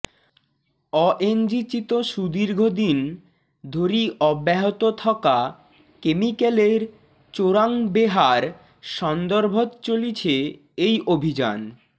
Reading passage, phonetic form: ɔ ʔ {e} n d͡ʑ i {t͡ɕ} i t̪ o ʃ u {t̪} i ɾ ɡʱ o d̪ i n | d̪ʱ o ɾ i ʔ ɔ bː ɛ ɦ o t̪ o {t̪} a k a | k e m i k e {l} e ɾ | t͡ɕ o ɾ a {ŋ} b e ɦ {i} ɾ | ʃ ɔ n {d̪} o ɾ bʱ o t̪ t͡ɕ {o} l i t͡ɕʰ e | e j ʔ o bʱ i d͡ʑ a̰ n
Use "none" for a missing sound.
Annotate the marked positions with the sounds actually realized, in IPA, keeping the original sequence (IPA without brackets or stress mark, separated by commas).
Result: e, t͡ɕ, d̪, t̪ʰ, l, ŋ, a, d̪, o